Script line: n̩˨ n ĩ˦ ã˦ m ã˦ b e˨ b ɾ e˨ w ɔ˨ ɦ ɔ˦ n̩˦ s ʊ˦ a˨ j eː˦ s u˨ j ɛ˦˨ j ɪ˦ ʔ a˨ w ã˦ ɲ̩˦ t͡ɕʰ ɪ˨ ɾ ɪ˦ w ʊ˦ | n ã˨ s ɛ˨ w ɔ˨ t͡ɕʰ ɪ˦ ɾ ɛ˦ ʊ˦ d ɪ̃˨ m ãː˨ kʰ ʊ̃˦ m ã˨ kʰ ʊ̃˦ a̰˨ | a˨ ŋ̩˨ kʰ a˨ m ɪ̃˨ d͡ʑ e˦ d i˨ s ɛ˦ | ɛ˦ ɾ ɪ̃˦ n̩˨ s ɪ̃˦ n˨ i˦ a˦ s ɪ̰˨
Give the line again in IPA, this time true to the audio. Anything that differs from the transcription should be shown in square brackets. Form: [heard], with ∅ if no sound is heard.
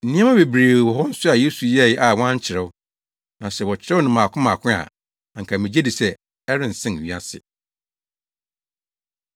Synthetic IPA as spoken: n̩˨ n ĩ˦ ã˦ m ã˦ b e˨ b ɾ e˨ w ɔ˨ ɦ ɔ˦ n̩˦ s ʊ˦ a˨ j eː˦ s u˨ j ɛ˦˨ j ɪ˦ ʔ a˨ w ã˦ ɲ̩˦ t͡ɕʰ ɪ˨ ɾ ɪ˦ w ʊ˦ | n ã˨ s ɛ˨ w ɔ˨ t͡ɕʰ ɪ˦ ɾ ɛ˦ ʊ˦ [n] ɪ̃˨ m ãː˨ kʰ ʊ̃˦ m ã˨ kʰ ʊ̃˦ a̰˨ | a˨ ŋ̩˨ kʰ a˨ m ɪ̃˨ d͡ʑ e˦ d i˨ s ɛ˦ | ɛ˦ ɾ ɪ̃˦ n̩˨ s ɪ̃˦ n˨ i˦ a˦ s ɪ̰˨